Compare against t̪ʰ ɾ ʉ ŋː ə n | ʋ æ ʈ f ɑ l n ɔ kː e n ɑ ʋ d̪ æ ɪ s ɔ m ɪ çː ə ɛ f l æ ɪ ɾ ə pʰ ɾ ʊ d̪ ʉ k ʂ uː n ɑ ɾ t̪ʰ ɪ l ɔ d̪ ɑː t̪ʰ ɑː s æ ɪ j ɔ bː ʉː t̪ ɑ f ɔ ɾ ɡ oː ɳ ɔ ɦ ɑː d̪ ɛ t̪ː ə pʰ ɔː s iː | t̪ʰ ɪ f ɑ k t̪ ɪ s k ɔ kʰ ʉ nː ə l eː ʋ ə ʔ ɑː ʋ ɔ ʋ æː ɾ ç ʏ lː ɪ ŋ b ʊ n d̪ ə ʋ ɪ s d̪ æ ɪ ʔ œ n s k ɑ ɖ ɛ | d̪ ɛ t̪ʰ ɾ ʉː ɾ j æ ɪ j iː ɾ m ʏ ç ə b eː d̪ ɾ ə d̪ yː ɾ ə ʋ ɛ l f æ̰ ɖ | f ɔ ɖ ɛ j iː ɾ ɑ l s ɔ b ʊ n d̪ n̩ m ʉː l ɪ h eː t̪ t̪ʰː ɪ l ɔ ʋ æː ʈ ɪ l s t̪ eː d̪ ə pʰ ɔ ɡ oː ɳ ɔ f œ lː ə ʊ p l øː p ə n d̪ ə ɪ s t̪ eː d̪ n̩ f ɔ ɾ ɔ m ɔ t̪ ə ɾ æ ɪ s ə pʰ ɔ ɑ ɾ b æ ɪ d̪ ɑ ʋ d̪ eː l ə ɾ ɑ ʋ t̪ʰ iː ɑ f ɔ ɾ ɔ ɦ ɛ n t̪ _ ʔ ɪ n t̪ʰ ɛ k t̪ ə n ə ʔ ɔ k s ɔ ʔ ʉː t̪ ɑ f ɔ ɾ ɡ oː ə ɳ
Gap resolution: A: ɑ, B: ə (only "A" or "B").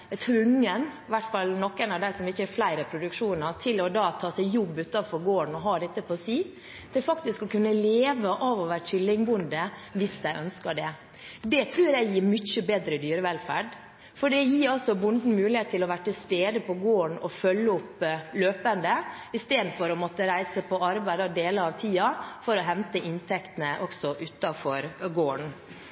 B